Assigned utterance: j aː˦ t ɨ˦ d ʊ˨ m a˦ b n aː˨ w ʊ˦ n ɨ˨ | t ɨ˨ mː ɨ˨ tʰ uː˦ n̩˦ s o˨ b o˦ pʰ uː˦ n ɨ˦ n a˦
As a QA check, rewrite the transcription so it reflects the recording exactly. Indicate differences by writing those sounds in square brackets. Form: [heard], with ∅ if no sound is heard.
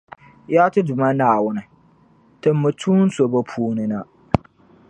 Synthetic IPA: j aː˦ t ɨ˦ d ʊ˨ m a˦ [∅] n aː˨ w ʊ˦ n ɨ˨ | t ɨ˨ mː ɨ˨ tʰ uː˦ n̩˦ s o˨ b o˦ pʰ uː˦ n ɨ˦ n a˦

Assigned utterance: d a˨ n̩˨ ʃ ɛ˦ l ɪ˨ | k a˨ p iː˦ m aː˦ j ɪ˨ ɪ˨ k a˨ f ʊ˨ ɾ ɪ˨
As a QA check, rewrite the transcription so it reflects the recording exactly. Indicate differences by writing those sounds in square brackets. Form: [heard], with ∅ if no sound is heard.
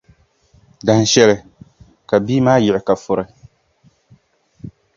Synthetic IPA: d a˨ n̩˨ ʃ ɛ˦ l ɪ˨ | k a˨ [b] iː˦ m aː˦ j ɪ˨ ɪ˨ k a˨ f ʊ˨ ɾ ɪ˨

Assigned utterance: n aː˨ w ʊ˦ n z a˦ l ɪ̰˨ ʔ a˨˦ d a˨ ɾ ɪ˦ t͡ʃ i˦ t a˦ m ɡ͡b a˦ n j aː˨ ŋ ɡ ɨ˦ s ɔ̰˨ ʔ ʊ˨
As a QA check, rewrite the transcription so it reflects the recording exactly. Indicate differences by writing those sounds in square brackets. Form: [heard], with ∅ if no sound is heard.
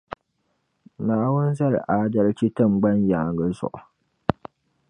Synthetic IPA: n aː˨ w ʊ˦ n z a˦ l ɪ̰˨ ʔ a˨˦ d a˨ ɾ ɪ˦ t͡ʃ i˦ t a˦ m ɡ͡b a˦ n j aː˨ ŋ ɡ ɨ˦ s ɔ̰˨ ʔ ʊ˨

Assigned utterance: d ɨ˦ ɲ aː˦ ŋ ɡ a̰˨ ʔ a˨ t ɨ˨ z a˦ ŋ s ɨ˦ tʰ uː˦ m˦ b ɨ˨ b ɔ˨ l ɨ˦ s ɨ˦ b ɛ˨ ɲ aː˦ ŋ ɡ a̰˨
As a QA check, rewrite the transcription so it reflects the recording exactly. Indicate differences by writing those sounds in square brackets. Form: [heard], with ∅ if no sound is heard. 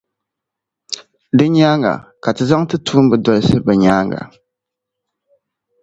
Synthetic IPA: d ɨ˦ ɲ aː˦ ŋ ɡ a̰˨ [k] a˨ t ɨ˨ z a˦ ŋ [t] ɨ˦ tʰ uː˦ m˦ b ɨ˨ [d] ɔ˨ l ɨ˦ s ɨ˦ b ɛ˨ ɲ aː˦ ŋ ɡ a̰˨

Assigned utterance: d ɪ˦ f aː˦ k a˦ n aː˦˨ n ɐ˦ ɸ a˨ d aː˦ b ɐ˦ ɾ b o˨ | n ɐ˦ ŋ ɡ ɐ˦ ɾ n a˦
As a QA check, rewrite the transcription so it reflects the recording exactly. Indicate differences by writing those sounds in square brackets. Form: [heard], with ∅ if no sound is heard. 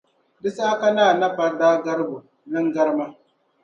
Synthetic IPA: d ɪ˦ [s] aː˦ k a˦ n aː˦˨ n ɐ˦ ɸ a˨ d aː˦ [ɡ] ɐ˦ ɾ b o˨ | n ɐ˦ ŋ ɡ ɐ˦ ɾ [m] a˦

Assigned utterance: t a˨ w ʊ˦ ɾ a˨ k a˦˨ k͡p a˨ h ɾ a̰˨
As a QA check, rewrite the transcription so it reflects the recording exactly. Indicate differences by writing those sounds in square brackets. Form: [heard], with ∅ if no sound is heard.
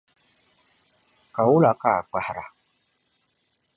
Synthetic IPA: [k] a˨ w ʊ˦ [l] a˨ k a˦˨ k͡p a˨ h ɾ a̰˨

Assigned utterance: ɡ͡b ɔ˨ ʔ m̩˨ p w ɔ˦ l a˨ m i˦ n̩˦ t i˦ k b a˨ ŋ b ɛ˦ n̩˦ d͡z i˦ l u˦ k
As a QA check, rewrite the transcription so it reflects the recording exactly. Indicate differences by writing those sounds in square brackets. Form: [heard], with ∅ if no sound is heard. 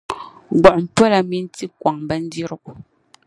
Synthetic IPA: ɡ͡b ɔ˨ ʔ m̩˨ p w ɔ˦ l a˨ m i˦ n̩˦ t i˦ k [w] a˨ ŋ b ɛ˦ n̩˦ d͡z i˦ [ɾ] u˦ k

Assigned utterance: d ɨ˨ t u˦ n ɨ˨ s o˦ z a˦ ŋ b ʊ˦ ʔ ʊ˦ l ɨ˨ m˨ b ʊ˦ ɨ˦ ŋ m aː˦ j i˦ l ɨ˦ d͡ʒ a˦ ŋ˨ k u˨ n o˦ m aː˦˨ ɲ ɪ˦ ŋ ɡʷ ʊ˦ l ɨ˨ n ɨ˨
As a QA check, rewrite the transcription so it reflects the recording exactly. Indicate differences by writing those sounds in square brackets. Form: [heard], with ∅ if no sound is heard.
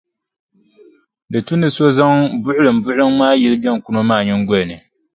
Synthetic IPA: d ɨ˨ t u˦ n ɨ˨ s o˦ z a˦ ŋ b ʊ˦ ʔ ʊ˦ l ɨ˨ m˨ b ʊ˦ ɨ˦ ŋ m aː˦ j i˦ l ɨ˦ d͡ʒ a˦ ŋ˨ k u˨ n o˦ m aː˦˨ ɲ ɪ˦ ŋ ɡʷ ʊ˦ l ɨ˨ n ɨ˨

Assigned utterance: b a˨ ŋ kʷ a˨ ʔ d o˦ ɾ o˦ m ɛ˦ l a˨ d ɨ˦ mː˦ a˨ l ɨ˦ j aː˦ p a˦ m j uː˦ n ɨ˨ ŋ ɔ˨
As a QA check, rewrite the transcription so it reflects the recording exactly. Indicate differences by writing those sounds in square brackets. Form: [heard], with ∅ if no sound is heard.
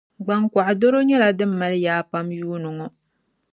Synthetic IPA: [ɡ͡b] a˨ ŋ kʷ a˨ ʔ d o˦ ɾ o˦ [ɲ] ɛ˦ l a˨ d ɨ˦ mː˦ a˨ l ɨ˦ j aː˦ p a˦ m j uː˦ n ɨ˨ ŋ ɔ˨

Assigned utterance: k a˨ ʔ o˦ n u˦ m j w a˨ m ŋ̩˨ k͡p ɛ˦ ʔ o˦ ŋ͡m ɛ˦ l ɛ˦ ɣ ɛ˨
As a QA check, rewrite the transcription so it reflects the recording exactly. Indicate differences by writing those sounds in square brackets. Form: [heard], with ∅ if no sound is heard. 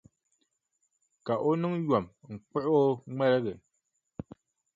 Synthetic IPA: k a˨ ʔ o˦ n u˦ [ŋ] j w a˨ m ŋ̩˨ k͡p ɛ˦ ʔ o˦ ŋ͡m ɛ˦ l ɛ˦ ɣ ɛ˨

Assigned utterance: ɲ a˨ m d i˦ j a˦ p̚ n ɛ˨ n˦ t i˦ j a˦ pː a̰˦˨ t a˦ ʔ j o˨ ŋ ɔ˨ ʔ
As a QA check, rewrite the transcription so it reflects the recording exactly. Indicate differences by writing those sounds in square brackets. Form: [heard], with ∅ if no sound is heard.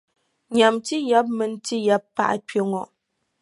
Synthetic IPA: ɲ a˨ m [t] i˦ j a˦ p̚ [m] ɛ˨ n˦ t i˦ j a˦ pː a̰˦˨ [ʔ] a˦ [p] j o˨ ŋ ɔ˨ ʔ

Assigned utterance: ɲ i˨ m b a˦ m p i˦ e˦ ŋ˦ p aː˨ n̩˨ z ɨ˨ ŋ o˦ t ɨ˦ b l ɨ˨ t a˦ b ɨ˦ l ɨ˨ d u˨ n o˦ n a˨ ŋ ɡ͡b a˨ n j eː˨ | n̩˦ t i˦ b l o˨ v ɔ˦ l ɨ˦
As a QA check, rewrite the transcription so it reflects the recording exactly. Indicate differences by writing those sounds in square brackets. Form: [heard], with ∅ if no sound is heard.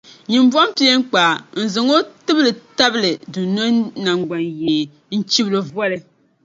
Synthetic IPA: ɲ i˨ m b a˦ m p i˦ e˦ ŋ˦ [k͡p] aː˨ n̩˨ z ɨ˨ ŋ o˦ t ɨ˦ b l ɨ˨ t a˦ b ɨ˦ l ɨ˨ d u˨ n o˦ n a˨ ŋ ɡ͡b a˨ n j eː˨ | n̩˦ [t͡ʃ] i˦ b l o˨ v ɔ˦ l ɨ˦

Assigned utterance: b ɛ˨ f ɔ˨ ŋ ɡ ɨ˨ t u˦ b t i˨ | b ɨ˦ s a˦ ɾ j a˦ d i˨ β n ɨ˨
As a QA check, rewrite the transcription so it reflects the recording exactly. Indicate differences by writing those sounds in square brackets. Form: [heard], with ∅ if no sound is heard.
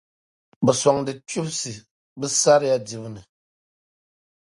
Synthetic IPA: b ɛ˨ [s] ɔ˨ ŋ [d] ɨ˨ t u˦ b [s] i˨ | b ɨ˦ s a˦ ɾ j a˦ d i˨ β n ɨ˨

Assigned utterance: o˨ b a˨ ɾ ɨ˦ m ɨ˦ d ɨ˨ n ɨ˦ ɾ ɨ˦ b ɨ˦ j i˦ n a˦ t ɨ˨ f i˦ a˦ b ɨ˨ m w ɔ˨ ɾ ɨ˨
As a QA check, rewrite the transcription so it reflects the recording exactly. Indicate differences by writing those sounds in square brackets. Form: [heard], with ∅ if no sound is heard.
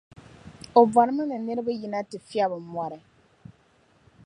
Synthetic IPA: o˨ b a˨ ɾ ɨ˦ m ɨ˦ [n] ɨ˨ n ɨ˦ ɾ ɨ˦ b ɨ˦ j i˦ n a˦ t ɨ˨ f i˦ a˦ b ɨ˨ m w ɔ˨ ɾ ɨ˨

